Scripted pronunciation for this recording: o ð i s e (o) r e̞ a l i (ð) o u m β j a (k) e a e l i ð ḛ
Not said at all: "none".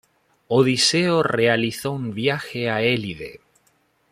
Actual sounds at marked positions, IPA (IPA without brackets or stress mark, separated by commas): o, θ, x